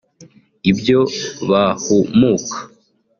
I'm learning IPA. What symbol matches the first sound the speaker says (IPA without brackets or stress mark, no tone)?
i